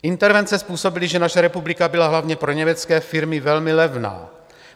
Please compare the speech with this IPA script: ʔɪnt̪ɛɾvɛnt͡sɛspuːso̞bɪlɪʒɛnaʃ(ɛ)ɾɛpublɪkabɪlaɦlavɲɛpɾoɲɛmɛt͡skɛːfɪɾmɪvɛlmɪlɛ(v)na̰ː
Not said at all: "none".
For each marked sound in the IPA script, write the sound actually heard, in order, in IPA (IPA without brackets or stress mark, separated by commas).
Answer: ɛ, v